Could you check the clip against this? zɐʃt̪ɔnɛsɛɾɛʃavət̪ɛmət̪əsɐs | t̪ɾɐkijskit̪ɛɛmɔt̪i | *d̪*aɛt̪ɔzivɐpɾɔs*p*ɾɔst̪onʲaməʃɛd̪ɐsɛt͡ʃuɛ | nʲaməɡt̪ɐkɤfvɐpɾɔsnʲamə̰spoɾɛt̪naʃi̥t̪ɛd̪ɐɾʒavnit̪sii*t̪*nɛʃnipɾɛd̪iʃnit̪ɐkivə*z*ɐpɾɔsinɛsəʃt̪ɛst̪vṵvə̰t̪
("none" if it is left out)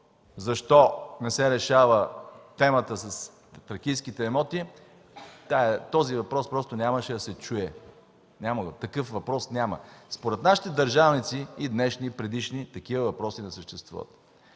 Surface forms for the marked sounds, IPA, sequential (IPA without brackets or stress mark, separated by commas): t̪, p, d̪, v